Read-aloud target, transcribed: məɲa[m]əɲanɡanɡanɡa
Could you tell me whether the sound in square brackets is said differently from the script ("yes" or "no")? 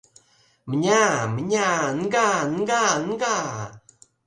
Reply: no